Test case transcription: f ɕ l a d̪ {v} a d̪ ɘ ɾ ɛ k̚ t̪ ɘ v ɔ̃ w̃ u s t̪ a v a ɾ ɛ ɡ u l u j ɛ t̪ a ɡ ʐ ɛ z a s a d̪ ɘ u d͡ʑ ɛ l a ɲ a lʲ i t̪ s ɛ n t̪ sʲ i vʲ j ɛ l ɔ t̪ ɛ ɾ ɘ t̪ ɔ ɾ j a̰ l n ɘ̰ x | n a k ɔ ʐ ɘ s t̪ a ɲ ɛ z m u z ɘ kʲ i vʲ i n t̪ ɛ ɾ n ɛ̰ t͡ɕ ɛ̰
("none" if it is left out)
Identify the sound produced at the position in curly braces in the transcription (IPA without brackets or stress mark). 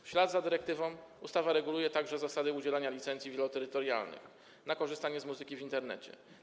z